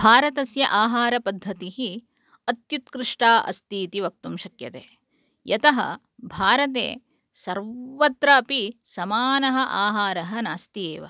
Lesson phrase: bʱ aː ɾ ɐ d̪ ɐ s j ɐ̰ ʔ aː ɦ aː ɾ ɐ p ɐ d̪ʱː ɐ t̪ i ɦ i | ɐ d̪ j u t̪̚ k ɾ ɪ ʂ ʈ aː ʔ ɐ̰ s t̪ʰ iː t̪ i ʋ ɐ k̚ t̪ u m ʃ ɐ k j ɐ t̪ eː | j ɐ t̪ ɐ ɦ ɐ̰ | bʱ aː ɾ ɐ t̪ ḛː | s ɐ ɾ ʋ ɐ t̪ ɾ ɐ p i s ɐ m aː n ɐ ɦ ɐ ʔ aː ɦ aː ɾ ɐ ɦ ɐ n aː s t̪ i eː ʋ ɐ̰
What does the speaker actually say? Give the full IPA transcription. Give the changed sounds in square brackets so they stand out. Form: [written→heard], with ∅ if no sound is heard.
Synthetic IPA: bʱ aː ɾ ɐ [d̪→t̪] ɐ s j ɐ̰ ʔ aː ɦ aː ɾ ɐ p ɐ d̪ʱː ɐ t̪ i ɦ i | ɐ [d̪→t̪] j u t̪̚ k ɾ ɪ ʂ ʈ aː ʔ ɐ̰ s [t̪ʰ→t̪] iː t̪ i ʋ ɐ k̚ t̪ u m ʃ ɐ k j ɐ t̪ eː | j ɐ t̪ ɐ ɦ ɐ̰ | bʱ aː ɾ ɐ t̪ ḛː | s ɐ ɾ ʋ ɐ t̪ ɾ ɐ p i s ɐ m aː n ɐ ɦ ɐ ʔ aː ɦ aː ɾ ɐ ɦ ɐ n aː s t̪ i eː ʋ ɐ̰